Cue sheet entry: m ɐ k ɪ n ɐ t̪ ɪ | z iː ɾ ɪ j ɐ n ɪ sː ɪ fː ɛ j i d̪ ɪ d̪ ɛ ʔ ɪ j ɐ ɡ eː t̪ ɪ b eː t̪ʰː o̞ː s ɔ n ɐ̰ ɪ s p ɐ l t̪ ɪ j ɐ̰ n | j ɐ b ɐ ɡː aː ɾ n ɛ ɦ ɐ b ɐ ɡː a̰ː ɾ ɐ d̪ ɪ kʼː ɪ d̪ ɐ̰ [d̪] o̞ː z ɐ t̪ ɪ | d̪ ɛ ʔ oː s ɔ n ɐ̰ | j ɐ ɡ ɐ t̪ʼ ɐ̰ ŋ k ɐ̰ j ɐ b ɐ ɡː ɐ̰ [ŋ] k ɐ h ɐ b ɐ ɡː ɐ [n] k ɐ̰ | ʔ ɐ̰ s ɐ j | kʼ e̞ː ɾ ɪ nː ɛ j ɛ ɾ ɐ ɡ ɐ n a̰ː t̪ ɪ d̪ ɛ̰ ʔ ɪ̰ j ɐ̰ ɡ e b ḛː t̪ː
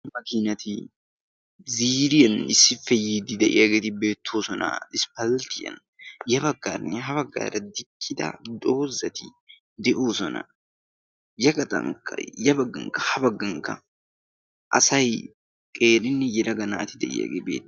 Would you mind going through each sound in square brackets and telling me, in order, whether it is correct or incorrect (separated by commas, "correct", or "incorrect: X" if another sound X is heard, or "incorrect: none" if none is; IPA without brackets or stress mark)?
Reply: correct, correct, incorrect: ŋ